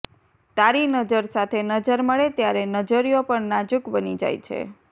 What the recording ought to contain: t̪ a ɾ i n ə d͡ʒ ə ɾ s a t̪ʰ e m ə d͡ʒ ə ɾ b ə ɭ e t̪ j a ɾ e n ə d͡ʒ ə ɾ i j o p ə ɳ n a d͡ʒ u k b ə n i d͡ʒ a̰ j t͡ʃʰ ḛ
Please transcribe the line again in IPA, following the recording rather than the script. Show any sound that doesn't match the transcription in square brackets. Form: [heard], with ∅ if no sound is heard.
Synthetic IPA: t̪ a ɾ i n ə d͡ʒ ə ɾ s a t̪ʰ e [n] ə d͡ʒ ə ɾ [m] ə ɭ e t̪ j a ɾ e n ə d͡ʒ ə ɾ i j o p ə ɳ n a d͡ʒ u k b ə n i d͡ʒ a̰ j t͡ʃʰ ḛ